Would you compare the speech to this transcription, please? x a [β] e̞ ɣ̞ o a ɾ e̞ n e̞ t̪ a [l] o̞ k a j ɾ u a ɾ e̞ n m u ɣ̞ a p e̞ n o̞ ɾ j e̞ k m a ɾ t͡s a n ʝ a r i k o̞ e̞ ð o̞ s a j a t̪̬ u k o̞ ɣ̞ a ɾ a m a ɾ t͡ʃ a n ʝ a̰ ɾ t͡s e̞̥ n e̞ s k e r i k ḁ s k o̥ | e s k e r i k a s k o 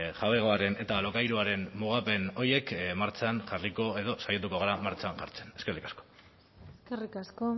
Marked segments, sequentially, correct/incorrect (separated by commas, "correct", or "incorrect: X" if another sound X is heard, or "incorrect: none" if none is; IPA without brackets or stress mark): correct, correct